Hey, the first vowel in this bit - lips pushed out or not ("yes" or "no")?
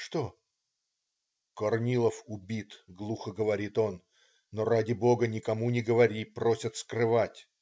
yes